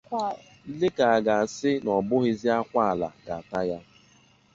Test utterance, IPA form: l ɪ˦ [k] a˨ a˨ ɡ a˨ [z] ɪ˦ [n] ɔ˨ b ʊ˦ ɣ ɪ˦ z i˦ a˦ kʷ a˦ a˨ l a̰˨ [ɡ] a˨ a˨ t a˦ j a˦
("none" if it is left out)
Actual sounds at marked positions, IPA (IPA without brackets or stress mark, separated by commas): k, s, n, ɡ